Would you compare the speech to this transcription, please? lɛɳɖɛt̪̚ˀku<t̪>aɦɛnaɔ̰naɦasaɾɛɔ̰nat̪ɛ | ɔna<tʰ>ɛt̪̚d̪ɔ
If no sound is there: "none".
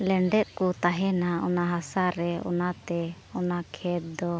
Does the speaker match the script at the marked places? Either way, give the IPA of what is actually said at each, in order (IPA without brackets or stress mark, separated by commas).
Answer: t̪, kʰ